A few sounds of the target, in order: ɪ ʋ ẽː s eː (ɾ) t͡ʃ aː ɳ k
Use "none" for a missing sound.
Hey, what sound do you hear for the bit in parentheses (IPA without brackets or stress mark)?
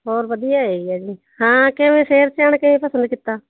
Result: ɾ